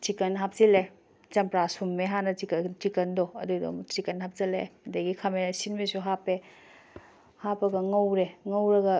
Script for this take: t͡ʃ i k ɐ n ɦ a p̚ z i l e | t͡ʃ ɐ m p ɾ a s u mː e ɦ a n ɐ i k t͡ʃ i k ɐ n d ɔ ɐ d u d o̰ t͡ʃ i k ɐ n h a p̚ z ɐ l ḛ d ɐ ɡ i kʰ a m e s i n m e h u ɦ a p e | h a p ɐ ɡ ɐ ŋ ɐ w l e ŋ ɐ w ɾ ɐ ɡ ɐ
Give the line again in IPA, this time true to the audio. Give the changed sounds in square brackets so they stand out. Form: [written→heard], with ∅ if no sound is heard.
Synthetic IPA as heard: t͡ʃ i k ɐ n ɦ a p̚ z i l e | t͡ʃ ɐ m p ɾ a s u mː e ɦ a n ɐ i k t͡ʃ i k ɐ n d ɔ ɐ d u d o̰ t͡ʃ i k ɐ n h a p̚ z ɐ l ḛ d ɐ ɡ i kʰ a m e s i n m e [h→s] u ɦ a p e | h a p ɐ ɡ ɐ ŋ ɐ w [l→ɾ] e ŋ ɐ w ɾ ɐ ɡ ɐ